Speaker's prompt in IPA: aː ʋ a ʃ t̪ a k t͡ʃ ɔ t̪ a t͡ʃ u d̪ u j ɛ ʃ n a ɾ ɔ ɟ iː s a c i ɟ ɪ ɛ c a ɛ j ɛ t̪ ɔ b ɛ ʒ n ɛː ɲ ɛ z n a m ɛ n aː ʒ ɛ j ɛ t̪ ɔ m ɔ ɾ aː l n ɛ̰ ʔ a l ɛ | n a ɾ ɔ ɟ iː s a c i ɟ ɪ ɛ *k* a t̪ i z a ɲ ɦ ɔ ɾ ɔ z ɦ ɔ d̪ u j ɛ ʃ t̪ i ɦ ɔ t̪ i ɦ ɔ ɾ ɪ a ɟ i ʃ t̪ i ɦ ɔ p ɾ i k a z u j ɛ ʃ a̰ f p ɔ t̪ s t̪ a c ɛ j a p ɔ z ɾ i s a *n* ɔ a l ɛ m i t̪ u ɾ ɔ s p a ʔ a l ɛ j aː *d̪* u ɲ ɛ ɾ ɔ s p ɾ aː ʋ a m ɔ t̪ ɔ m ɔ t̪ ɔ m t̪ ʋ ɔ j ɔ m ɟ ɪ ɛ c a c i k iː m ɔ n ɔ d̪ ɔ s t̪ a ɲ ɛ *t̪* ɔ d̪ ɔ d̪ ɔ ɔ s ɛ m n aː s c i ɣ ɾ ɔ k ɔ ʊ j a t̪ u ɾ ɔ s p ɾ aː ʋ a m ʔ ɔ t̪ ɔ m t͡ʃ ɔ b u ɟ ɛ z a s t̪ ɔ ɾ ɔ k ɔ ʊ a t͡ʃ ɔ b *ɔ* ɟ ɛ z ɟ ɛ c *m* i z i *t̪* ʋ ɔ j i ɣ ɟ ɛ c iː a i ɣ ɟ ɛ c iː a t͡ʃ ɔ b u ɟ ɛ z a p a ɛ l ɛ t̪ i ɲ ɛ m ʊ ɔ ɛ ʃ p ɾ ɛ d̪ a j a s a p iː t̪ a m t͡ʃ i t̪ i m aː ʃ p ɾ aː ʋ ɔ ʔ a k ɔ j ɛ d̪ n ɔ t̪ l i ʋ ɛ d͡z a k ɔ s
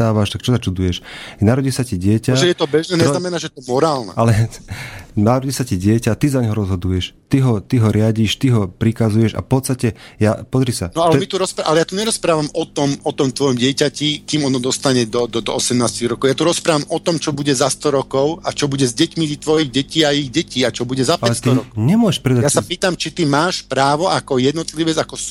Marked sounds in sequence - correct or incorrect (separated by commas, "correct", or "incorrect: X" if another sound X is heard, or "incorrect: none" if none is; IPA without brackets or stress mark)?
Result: incorrect: c, correct, incorrect: t̪, incorrect: d̪, incorrect: u, correct, correct